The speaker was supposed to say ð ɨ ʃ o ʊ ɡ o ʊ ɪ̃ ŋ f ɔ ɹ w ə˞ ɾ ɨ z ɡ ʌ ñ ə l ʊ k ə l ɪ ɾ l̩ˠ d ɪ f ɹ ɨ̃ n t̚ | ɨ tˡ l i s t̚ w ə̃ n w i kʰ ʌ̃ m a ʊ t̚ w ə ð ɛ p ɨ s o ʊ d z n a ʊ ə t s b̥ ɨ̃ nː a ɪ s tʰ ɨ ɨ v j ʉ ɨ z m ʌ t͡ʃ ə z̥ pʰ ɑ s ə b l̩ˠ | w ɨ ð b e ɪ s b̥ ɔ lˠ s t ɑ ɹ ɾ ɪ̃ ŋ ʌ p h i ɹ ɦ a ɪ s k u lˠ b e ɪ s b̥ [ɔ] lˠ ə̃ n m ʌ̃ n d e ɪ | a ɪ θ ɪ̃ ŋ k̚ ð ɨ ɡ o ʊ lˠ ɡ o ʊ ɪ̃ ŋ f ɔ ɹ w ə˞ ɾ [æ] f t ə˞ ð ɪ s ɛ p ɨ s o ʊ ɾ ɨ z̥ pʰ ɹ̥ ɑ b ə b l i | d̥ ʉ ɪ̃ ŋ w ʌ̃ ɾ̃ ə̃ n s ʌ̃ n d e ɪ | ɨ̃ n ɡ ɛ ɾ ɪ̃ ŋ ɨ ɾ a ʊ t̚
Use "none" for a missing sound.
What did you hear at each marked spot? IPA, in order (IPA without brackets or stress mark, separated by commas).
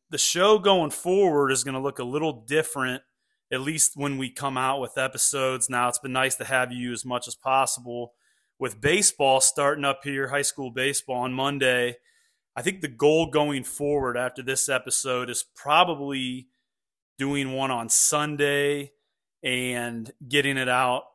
ɔ, æ